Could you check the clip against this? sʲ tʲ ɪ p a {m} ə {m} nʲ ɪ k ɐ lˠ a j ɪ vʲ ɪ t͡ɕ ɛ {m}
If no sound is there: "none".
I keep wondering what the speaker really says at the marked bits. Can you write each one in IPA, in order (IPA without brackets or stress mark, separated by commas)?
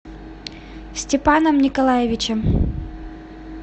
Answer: n, m, m